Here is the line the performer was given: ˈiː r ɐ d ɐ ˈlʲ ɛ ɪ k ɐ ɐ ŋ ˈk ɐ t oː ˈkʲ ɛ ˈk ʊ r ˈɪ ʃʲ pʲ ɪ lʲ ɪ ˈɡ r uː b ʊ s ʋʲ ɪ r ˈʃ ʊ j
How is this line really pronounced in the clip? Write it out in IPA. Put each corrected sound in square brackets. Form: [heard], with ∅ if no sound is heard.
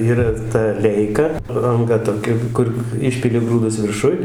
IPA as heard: ˈiː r ɐ [t] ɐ ˈlʲ ɛ ɪ k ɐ ɐ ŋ [ˈɡ] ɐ t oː ˈkʲ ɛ ˈk ʊ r ˈɪ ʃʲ pʲ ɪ lʲ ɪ ˈɡ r uː [d] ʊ s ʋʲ ɪ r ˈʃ ʊ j